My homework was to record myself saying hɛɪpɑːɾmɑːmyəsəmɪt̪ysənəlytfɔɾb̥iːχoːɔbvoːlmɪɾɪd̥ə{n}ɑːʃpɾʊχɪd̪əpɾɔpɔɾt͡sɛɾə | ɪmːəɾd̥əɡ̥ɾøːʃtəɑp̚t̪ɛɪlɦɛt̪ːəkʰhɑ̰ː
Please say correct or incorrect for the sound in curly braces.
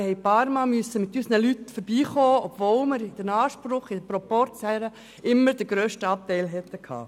correct